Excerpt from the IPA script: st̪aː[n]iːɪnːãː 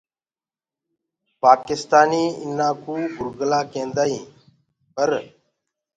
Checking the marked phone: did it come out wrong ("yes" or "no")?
no